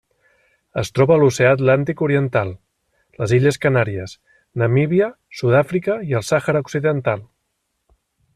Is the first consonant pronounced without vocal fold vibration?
yes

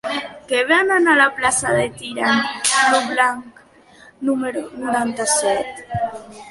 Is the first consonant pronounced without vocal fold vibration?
yes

